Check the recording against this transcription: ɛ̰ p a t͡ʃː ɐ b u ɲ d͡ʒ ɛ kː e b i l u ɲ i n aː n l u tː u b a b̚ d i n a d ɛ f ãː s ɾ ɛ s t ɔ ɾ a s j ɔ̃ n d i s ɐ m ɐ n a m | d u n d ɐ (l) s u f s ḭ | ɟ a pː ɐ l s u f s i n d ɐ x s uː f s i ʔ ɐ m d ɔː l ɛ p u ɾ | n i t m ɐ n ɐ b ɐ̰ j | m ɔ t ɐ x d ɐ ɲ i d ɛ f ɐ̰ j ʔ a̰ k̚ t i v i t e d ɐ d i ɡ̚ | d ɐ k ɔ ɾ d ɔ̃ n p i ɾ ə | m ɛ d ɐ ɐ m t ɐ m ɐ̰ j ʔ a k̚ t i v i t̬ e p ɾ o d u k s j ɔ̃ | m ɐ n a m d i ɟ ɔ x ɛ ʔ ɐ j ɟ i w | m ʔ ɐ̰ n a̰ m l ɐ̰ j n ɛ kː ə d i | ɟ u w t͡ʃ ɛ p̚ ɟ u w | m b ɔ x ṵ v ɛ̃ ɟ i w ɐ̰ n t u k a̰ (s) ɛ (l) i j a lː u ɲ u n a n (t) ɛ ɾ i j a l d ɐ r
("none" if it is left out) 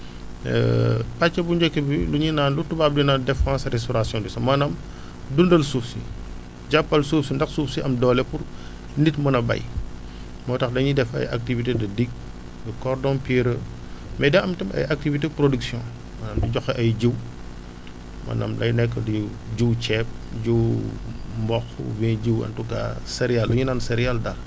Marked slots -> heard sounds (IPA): l, s, ɾ, s

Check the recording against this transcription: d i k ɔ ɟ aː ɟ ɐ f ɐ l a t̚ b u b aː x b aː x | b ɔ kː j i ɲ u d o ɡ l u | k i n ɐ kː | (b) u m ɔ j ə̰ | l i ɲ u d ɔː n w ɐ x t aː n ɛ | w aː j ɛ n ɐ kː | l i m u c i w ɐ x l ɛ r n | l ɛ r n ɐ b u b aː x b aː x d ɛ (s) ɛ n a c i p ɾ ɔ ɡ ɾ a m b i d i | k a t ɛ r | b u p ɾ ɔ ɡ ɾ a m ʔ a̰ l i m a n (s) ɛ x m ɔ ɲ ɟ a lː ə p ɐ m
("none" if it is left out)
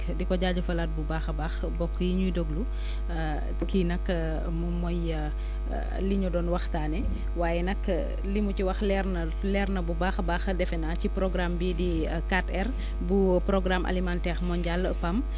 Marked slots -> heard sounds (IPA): m, f, t

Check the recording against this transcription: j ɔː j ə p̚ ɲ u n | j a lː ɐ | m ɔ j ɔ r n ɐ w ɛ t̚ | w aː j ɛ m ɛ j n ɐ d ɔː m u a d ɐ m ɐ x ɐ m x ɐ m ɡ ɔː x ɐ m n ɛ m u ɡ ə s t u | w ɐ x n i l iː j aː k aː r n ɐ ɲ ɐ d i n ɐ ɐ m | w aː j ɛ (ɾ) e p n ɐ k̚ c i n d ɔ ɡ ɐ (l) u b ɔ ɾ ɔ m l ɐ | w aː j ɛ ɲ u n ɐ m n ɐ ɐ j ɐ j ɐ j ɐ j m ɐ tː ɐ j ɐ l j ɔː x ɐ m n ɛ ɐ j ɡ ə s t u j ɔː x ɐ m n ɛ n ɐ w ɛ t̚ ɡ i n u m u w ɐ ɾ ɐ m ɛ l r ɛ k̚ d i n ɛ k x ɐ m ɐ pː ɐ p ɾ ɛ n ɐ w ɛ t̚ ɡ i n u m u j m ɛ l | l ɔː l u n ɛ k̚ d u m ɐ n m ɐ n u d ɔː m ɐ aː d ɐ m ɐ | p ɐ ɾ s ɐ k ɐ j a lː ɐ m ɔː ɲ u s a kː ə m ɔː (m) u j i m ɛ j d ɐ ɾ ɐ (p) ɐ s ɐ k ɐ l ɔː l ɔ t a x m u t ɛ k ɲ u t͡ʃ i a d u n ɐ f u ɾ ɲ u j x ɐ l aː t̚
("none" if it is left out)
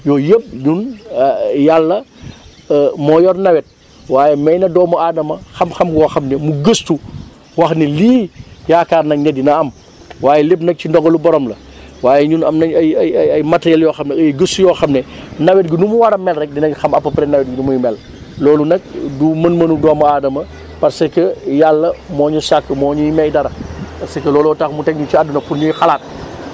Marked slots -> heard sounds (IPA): l, l, ɲ, p

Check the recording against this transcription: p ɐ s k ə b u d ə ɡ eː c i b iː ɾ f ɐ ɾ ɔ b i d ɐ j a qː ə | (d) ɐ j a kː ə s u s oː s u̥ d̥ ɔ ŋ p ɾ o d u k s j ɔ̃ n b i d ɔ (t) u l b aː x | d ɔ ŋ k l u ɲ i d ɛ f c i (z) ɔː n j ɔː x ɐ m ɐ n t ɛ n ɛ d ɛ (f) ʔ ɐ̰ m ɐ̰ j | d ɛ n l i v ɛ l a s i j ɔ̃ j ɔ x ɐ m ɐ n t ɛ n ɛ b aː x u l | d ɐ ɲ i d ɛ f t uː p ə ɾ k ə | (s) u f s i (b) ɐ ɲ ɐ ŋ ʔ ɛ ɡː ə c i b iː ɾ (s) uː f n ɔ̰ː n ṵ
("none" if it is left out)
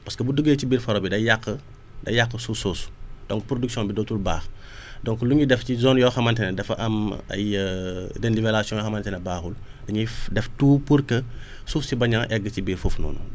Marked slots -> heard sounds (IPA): d, t, z, f, s, b, f

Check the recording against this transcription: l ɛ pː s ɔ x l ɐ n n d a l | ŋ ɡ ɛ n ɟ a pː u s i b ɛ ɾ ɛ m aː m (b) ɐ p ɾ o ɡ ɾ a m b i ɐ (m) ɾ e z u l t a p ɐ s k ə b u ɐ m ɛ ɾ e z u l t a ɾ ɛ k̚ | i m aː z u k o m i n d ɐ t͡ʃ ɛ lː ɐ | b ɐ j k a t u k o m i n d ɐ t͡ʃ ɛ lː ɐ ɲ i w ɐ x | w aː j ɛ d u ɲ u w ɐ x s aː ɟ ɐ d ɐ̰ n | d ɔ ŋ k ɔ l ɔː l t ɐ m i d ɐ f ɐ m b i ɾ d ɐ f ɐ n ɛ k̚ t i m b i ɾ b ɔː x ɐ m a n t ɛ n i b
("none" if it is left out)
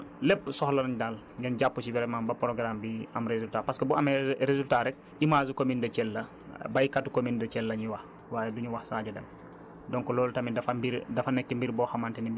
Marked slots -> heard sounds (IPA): b, m

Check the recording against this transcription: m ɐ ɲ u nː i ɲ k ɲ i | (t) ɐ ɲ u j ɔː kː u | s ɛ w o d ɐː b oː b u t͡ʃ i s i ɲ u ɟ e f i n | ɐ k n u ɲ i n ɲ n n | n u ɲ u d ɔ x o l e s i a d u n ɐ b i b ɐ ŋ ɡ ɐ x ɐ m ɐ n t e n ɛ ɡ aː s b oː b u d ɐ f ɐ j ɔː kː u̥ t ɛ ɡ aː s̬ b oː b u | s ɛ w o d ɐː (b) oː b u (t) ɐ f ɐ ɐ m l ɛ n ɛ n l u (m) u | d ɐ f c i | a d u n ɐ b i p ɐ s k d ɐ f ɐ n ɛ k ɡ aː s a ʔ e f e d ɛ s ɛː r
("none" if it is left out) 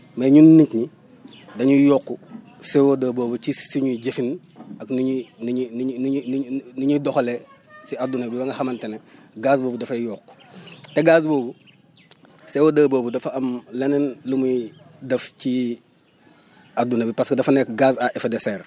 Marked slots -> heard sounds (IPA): d, b, d, m

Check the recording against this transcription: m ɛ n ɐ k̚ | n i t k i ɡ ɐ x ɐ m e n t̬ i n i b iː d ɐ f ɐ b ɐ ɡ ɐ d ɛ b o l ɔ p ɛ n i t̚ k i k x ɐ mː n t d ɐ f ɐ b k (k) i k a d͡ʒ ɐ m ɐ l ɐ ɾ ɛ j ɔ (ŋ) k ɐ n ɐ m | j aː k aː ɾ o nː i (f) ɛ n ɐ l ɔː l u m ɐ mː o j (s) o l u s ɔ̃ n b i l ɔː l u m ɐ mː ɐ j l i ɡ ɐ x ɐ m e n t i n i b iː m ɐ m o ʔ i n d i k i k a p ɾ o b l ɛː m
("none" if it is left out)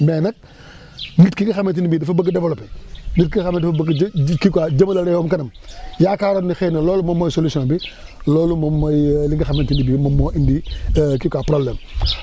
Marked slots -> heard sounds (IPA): k, m, x, s

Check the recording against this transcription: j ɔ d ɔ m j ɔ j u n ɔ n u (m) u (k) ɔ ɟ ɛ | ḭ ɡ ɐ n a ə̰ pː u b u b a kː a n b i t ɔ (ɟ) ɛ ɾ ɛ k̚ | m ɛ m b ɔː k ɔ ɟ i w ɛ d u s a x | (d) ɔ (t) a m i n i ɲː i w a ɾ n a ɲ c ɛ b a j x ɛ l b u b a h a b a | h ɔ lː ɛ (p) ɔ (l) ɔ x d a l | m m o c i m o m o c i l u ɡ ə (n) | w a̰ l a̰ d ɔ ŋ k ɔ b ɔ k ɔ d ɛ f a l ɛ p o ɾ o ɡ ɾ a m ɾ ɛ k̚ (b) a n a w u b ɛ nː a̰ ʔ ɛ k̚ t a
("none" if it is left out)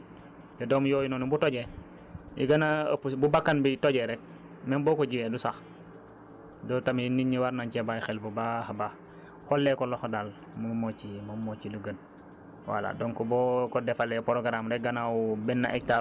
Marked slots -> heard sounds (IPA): b, t, ɟ, d, t, k, l, n, ɡ

